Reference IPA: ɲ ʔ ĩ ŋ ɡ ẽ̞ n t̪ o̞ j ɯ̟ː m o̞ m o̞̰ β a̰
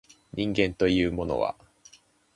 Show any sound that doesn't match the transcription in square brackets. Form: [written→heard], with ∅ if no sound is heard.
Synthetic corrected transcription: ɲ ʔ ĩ ŋ ɡ ẽ̞ n t̪ o̞ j ɯ̟ː m o̞ [m→n] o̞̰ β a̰